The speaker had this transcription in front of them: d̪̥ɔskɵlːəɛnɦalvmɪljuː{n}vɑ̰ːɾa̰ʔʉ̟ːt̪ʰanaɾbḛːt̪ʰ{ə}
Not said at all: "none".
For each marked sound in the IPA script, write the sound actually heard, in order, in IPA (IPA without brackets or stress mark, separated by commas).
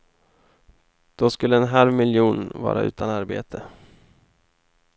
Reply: n, ə